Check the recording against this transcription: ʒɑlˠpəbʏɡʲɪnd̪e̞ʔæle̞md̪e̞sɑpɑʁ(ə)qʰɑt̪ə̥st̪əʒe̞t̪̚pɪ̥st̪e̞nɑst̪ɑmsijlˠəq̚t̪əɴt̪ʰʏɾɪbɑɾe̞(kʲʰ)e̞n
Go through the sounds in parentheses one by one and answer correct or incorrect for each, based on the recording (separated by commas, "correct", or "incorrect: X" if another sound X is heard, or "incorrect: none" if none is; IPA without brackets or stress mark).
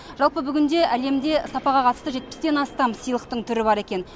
incorrect: ɑ, incorrect: kʲ